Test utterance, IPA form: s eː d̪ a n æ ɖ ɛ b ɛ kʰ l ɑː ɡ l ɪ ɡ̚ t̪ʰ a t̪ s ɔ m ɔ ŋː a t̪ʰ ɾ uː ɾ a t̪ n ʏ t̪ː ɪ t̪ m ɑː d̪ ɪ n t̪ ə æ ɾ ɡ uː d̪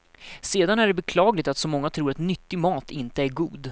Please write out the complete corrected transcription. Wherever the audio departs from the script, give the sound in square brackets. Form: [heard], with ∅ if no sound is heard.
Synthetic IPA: s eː d̪ a n æ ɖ ɛ b ɛ kʰ l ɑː ɡ l ɪ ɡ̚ [t̪] a t̪ s ɔ m ɔ ŋː a t̪ʰ ɾ uː ɾ a t̪ n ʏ t̪ː ɪ [∅] m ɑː [t̪] ɪ n t̪ ə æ ɾ ɡ uː d̪